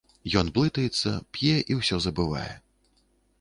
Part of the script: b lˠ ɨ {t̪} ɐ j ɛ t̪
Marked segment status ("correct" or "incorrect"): correct